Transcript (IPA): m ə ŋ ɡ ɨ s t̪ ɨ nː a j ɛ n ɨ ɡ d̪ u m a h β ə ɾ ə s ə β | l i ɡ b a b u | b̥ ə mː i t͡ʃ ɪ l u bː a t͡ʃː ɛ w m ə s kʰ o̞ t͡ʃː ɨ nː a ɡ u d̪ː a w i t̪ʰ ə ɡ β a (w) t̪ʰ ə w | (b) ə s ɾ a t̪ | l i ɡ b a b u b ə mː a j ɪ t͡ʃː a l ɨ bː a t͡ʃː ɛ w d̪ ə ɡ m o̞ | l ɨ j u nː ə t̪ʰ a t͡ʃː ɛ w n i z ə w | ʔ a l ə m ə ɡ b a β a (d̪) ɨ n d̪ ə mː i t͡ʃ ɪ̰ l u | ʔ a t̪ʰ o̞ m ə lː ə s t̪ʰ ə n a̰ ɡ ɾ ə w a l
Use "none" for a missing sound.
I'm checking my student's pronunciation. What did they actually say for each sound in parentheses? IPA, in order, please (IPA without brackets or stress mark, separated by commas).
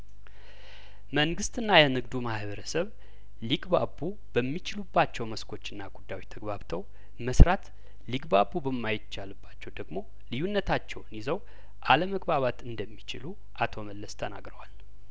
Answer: β, m, t̪